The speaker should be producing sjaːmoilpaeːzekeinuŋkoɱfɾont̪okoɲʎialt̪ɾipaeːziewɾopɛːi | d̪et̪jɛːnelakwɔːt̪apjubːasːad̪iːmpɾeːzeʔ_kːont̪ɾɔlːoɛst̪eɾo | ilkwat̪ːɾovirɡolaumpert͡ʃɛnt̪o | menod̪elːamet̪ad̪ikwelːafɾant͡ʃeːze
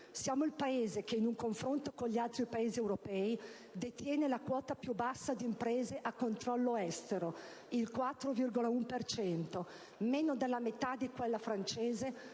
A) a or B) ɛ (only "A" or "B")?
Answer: A